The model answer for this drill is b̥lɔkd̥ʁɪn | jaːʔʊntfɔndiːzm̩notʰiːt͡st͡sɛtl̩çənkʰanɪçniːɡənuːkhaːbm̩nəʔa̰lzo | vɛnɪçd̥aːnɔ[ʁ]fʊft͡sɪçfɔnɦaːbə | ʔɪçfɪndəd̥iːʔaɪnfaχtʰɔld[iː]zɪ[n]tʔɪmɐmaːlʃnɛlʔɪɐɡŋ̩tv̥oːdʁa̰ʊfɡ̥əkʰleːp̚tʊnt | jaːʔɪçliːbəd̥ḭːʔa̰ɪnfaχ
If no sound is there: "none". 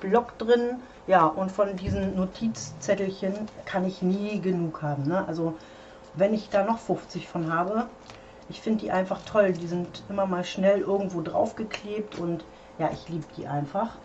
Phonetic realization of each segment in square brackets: χ, iː, n

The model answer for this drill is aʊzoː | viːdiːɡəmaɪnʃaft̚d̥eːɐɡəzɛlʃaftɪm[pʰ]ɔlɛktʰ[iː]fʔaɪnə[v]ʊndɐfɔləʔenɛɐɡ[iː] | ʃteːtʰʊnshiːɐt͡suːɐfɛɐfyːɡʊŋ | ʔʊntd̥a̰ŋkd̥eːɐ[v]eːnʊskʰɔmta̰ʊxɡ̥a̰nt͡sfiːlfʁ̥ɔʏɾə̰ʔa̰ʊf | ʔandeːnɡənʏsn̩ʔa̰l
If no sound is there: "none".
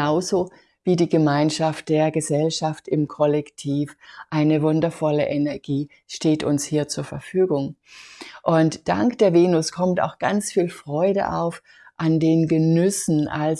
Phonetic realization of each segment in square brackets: kʰ, iː, v, iː, v

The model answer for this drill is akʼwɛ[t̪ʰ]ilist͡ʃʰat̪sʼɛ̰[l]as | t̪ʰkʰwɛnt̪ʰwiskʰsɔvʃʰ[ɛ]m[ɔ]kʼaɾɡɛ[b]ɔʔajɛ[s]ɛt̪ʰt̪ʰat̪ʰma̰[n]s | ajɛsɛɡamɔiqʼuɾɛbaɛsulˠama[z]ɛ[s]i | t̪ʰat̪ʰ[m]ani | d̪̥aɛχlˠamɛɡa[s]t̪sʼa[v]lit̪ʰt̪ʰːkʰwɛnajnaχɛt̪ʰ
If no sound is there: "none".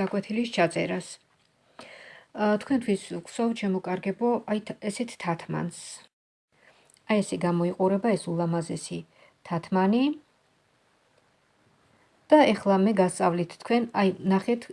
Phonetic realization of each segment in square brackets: t̪ʰ, ɾ, ɛ, ɔ, b, s, n, z, s, m, s, v

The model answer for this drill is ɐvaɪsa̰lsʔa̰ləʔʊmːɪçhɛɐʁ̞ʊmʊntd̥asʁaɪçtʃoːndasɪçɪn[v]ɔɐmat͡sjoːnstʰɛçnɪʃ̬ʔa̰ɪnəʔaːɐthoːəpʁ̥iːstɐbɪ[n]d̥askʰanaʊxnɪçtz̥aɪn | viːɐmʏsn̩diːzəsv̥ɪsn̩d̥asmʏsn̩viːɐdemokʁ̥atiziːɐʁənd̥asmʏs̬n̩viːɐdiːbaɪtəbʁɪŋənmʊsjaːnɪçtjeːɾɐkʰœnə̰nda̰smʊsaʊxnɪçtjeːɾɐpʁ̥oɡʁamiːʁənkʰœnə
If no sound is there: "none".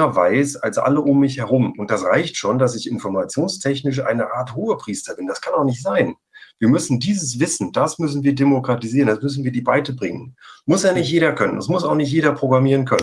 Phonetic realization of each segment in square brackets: f, n

